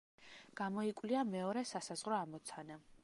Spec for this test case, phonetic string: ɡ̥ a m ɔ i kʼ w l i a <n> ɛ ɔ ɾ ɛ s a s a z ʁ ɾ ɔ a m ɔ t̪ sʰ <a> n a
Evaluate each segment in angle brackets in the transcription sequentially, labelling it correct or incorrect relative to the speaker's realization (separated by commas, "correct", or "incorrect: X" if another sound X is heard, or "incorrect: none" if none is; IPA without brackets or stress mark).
incorrect: m, correct